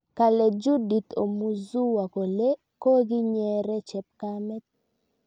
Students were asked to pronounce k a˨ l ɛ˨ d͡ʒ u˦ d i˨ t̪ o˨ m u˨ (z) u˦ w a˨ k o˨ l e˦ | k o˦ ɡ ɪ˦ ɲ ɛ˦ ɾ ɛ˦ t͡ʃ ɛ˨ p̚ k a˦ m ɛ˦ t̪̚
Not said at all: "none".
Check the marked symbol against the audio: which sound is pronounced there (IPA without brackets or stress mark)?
z